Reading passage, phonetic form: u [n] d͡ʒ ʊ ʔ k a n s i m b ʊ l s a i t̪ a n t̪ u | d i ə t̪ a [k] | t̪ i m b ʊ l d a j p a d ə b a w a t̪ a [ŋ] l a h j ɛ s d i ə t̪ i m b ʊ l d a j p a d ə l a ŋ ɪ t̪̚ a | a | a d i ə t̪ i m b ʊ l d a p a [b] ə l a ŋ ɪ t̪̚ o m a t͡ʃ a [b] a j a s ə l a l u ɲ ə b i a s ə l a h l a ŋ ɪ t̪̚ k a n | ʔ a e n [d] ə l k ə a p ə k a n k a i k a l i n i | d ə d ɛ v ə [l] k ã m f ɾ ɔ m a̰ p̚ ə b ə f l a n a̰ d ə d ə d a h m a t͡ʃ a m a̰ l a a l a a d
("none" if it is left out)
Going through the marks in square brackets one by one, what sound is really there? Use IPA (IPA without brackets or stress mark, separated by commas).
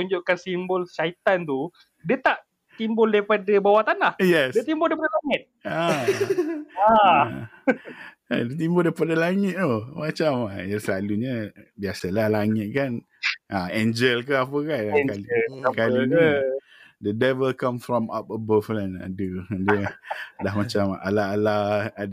ɲ, ʔ, n, d, m, d͡ʒ, l